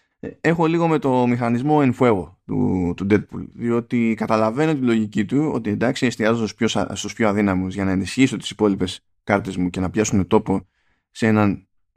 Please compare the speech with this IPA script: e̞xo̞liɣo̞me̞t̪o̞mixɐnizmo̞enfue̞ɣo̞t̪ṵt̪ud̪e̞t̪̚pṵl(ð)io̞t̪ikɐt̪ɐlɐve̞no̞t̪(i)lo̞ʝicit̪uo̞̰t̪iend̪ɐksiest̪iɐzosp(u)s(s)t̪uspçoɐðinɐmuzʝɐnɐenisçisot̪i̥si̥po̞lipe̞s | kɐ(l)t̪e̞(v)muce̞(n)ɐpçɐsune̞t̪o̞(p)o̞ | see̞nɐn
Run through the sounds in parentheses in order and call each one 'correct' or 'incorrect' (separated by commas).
correct, correct, incorrect, correct, incorrect, incorrect, correct, correct